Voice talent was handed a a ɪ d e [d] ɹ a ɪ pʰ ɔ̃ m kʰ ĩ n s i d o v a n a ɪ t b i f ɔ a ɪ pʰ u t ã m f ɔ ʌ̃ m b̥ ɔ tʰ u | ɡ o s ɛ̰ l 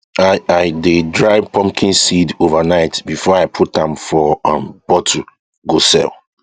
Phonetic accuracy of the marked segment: correct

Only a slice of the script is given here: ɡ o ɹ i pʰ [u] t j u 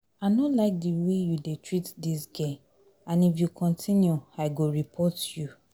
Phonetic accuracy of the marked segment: incorrect: ɔ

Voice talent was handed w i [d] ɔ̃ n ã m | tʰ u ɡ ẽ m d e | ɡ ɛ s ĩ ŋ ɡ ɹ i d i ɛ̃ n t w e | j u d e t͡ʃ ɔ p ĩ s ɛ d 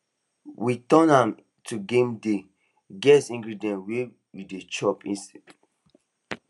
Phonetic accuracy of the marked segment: incorrect: t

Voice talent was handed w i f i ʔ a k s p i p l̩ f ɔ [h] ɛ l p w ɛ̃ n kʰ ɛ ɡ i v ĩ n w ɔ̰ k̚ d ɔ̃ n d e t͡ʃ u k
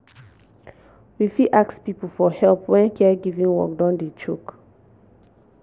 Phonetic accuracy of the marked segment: correct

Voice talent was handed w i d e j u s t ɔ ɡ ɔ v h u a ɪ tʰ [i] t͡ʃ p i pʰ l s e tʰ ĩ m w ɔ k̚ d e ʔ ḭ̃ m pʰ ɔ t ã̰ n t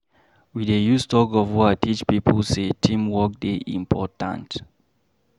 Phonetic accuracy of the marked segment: correct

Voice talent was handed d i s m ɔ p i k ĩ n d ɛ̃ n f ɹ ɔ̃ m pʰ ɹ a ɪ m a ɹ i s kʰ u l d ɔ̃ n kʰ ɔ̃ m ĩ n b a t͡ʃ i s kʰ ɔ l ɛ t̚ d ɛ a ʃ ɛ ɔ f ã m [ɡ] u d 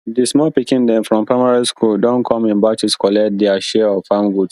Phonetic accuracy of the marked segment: correct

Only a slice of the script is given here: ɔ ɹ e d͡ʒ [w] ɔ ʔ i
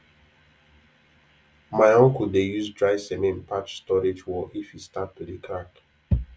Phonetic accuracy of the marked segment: correct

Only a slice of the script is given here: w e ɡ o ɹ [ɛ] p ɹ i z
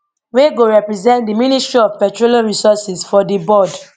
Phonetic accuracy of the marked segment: correct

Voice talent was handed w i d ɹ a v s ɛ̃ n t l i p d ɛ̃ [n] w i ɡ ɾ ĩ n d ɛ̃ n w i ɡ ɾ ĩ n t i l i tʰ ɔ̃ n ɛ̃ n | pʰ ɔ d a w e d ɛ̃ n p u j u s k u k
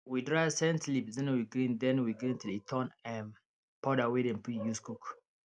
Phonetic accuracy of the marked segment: correct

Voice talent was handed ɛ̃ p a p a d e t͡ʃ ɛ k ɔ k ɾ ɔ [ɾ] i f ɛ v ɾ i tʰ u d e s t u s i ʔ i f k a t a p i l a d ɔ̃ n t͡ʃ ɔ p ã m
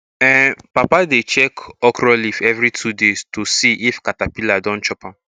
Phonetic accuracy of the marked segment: incorrect: l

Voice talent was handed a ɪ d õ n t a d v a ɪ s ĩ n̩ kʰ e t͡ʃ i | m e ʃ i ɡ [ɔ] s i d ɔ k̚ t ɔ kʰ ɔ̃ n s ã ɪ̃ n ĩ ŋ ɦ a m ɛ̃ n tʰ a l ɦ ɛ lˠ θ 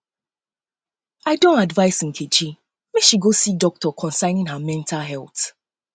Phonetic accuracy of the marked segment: incorrect: o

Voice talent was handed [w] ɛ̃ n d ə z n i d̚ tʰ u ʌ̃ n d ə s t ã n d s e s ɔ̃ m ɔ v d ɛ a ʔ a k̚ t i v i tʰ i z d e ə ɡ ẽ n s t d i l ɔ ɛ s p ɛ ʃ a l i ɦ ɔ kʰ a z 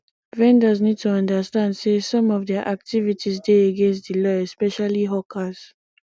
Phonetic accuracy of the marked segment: incorrect: v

